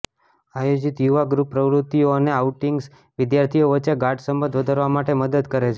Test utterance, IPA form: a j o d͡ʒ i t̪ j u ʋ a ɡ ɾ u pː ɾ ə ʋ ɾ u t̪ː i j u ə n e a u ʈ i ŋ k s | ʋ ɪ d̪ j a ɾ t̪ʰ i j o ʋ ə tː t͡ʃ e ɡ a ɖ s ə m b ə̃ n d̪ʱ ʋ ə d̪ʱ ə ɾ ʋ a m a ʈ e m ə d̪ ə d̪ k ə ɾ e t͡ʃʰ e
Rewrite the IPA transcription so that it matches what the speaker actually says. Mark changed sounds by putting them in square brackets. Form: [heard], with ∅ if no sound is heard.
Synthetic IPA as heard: a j o d͡ʒ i t̪ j u ʋ a ɡ ɾ u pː ɾ ə ʋ ɾ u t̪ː i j [o] ə n e a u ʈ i ŋ [ɡ] s | ʋ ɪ d̪ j a ɾ t̪ʰ i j o ʋ ə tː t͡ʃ e ɡ a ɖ s ə m b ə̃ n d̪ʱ ʋ ə d̪ʱ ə ɾ ʋ a m a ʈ e m ə d̪ ə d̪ k ə ɾ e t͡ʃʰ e